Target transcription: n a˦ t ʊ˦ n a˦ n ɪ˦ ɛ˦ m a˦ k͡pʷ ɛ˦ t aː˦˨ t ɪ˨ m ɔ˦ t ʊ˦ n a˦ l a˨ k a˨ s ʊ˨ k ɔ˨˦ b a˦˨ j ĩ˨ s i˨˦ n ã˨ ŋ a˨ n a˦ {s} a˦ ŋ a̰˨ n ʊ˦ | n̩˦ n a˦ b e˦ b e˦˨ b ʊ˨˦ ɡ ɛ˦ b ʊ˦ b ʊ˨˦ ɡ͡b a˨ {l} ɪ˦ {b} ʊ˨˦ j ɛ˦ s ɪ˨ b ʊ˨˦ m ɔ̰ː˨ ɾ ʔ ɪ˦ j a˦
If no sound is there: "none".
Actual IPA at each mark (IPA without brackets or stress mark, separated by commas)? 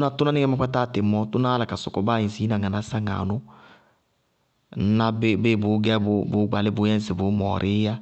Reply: s, l, b